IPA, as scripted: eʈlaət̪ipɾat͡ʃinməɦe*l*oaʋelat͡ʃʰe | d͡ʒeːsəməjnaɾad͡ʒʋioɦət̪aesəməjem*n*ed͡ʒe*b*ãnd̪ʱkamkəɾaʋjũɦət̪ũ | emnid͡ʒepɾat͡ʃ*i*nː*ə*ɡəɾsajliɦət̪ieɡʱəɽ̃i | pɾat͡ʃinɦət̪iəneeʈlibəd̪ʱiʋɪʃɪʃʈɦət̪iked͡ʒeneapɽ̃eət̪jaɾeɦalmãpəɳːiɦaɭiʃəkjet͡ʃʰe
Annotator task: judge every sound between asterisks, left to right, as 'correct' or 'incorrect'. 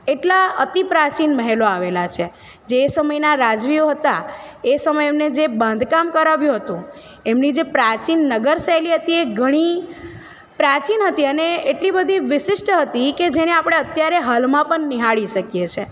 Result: correct, correct, correct, correct, correct

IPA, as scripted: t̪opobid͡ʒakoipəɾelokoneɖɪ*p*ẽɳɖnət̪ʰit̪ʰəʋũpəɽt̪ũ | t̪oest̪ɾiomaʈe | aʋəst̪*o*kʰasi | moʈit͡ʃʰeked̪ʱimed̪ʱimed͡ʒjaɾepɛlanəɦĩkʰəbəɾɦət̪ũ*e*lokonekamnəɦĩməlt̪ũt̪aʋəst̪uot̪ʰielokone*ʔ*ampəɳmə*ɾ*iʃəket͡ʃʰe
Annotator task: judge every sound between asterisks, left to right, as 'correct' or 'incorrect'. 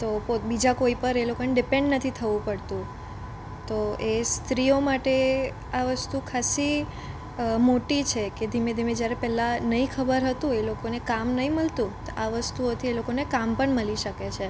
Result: correct, incorrect, correct, incorrect, incorrect

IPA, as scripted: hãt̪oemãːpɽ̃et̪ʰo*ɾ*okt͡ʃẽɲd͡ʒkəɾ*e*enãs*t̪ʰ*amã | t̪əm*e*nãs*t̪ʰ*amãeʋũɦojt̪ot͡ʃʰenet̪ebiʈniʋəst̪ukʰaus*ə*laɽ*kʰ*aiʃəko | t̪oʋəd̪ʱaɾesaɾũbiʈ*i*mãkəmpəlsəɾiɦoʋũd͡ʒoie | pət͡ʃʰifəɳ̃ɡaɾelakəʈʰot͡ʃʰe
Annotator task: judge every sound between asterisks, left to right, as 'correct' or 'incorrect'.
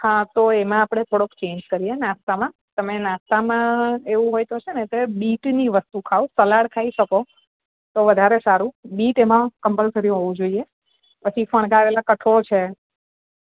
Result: incorrect, incorrect, incorrect, correct, incorrect, correct, correct, incorrect

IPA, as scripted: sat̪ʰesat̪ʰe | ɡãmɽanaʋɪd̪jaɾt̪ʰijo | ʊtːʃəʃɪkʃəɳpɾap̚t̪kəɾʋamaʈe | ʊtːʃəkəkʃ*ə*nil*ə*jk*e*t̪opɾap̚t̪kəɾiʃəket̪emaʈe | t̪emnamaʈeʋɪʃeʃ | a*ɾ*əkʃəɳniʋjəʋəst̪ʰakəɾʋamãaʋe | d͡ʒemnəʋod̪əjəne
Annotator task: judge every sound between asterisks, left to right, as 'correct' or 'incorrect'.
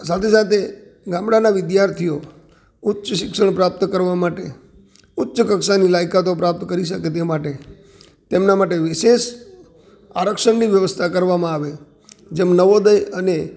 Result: incorrect, incorrect, incorrect, correct

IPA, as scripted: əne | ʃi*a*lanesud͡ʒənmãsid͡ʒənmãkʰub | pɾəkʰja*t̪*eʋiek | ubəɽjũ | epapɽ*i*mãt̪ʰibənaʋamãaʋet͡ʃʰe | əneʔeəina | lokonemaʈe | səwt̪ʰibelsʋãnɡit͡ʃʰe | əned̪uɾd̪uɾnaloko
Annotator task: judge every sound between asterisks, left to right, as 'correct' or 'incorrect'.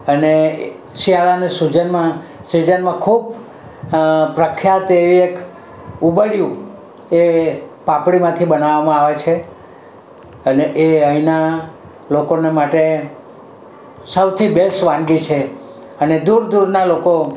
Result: correct, correct, correct

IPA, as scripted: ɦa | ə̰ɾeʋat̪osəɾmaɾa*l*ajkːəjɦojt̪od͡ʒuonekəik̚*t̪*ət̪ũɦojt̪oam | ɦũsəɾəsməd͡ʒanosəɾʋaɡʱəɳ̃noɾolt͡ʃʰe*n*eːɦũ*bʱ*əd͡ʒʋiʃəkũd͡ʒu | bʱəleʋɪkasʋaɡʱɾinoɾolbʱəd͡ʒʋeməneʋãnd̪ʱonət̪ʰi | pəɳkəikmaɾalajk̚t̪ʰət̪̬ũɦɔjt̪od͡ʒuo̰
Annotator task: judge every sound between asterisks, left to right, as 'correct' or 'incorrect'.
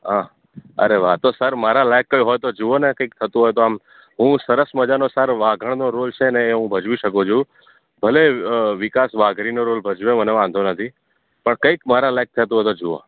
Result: correct, incorrect, correct, correct

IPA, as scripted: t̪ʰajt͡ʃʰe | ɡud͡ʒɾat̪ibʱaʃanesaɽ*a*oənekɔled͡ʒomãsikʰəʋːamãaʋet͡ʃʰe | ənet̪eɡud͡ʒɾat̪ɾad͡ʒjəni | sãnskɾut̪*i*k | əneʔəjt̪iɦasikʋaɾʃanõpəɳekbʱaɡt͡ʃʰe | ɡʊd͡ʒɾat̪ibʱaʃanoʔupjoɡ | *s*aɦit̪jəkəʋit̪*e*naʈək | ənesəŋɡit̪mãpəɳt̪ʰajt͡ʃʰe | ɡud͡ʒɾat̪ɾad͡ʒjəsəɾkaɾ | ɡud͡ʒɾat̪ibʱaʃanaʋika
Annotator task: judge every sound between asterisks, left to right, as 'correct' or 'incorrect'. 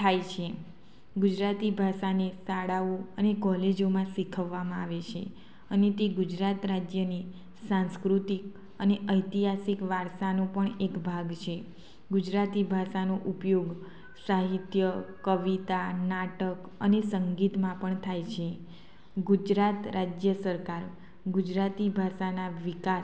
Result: correct, correct, correct, incorrect

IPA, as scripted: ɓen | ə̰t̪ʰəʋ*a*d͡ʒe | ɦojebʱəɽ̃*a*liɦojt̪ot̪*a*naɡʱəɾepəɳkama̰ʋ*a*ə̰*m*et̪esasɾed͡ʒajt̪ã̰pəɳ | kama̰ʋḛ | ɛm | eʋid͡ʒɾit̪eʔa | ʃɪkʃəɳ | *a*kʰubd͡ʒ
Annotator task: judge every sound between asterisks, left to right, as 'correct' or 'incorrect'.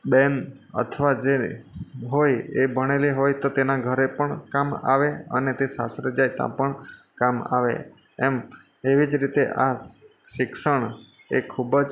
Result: correct, incorrect, incorrect, incorrect, incorrect, incorrect

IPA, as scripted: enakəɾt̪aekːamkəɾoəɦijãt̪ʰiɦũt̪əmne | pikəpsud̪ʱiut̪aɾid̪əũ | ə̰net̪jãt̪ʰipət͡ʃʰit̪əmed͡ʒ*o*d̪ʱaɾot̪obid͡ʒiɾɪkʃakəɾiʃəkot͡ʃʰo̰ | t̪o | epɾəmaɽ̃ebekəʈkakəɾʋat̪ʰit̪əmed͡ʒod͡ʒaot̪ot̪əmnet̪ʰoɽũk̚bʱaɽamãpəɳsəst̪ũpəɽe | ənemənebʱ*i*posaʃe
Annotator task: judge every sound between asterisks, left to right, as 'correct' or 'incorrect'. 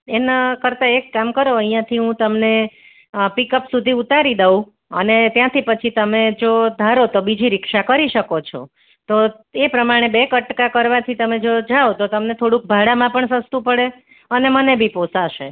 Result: correct, correct

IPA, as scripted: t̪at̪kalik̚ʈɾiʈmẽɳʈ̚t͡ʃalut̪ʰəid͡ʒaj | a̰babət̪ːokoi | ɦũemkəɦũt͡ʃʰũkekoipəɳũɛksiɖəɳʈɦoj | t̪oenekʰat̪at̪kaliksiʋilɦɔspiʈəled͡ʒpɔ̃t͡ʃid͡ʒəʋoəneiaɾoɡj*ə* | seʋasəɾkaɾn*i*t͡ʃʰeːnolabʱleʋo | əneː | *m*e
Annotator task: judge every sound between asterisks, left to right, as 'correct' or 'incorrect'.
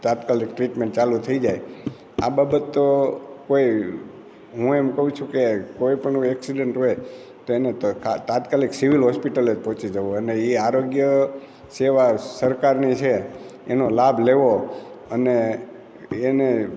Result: correct, correct, incorrect

